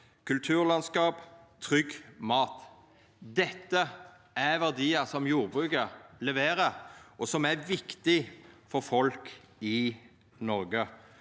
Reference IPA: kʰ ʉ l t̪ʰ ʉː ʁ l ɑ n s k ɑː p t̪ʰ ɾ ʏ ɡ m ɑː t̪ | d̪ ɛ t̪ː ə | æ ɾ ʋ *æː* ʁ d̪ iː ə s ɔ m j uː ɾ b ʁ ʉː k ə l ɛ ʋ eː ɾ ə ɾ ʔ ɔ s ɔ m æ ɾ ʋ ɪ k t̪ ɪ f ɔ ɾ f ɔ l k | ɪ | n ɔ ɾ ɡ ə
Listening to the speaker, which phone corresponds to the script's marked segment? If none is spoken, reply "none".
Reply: æ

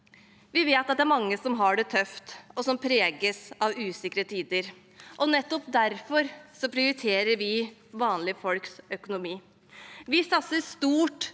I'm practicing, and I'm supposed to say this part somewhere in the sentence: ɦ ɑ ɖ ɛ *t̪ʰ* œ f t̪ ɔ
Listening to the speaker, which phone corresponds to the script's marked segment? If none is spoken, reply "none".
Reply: t̪ʰ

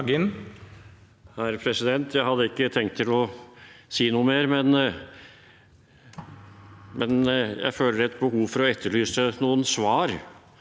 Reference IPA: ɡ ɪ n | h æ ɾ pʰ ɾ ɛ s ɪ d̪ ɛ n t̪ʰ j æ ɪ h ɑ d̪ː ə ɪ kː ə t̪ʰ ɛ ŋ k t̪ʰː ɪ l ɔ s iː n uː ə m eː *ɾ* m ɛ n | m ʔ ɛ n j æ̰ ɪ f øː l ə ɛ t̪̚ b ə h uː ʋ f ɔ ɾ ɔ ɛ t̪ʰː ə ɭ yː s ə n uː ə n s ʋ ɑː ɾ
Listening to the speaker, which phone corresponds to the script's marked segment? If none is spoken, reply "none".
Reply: ɾ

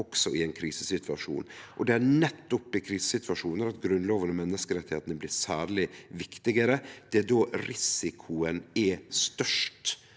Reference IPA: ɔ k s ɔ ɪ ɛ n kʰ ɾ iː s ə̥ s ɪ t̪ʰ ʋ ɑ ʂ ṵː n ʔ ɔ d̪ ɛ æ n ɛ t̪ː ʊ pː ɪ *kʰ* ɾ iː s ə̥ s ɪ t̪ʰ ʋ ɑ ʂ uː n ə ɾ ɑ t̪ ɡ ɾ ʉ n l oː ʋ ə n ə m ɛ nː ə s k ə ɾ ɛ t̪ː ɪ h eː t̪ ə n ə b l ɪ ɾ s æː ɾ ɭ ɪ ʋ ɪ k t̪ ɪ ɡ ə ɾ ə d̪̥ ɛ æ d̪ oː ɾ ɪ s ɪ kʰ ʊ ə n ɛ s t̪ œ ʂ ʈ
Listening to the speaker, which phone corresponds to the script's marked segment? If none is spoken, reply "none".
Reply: kʰ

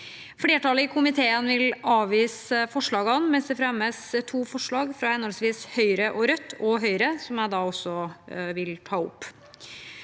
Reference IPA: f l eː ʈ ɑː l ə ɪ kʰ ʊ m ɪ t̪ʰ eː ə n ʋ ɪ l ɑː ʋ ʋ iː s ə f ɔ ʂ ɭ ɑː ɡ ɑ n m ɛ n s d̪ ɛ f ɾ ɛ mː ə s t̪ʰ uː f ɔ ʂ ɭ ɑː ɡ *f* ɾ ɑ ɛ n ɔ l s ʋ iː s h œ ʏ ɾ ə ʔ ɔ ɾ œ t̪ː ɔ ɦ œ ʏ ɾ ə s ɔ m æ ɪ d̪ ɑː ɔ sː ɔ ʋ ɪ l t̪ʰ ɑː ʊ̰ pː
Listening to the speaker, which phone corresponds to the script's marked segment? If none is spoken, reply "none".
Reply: f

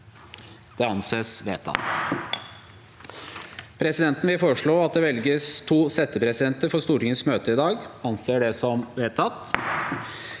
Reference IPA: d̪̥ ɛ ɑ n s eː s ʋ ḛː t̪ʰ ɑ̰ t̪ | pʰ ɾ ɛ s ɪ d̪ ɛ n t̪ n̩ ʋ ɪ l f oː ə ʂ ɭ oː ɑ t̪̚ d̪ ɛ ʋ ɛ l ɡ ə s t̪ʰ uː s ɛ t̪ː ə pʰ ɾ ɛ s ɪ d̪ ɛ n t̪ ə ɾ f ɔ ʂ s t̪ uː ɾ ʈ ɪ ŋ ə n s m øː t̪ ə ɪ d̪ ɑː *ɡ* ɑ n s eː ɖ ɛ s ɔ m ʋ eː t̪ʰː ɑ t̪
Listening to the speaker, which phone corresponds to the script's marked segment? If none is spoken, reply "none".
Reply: ɡ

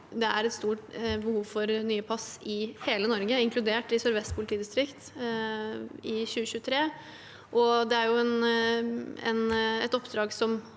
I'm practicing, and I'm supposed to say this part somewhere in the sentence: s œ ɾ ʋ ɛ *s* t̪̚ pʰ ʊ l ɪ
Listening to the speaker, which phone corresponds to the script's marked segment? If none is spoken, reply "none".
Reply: s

